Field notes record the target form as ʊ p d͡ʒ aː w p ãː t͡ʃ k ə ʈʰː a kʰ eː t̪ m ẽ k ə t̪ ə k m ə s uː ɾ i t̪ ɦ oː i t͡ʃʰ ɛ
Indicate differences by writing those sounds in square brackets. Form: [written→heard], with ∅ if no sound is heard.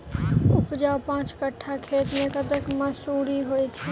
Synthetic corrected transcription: ʊ p d͡ʒ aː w p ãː t͡ʃ k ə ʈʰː a kʰ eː t̪ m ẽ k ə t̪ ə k m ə s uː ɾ i [t̪→∅] ɦ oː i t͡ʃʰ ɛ